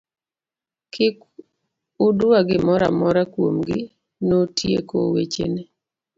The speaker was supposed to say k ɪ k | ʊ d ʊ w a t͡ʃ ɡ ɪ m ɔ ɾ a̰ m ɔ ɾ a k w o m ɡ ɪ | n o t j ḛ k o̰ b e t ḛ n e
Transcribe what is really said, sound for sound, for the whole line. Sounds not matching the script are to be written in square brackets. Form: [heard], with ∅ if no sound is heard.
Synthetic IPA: k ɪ k | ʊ d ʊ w a [∅] ɡ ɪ m ɔ ɾ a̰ m ɔ ɾ a k w o m ɡ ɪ | n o t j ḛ k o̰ [w] e [t͡ʃ] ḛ n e